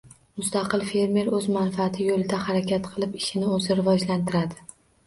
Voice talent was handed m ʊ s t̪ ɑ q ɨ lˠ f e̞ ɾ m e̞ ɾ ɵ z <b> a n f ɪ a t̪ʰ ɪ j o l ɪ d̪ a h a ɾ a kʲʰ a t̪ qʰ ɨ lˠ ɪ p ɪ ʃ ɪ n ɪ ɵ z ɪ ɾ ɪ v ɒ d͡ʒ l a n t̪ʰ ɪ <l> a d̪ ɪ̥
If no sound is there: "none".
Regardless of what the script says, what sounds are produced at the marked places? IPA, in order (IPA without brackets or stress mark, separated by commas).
m, ɾ